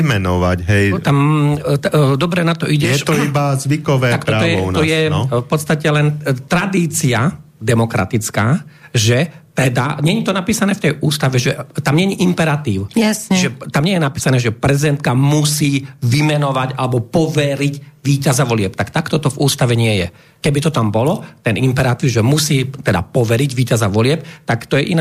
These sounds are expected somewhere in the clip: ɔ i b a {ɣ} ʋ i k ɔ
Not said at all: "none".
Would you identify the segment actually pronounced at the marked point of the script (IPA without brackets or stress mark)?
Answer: z